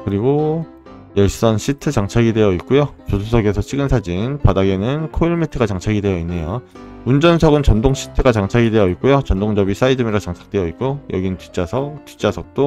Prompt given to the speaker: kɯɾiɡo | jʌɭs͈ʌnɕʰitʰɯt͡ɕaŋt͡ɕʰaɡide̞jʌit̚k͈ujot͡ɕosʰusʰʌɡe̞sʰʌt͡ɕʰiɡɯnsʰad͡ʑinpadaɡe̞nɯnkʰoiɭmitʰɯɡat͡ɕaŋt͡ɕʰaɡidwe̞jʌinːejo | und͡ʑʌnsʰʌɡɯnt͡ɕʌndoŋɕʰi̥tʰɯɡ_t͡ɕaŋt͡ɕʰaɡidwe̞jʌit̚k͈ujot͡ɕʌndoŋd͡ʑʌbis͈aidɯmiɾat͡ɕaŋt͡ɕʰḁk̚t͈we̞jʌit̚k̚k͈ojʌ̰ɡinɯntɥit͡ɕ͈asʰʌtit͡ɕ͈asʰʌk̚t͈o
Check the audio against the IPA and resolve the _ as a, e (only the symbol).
a